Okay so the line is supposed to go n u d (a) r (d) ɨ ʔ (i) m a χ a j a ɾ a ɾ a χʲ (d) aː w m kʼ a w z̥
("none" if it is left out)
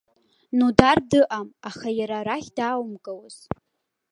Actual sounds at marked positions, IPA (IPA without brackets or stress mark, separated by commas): a, d, a, d